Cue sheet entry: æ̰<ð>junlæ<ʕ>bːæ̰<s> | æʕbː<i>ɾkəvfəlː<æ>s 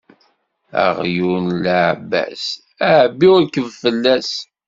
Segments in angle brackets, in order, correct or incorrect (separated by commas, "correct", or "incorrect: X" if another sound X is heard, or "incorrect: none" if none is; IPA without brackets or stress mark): incorrect: ʁ, correct, correct, correct, correct